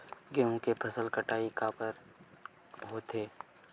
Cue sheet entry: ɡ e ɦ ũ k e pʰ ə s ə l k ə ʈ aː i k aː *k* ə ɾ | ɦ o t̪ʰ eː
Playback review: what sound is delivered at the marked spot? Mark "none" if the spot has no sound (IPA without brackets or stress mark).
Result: p